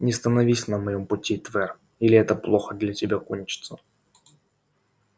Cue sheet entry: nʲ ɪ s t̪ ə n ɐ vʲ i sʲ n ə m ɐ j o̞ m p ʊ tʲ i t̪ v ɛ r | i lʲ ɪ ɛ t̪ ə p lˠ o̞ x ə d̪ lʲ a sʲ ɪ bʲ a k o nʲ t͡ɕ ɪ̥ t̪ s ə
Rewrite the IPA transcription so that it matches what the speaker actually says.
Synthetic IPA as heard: nʲ ɪ s t̪ ə n ɐ vʲ i sʲ n ə m ɐ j o̞ m p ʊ tʲ i t̪ v ɛ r | i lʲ ɪ ɛ t̪ ə p lˠ o̞ x ə d̪ lʲ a tʲ ɪ bʲ a k o nʲ t͡ɕ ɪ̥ t̪ s ə